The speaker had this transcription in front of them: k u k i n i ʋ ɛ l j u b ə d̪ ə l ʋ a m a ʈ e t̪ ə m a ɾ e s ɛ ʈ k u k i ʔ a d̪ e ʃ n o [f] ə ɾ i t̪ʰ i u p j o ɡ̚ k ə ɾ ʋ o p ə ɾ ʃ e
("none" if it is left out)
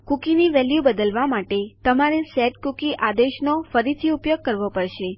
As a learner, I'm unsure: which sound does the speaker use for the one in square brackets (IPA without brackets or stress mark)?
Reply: f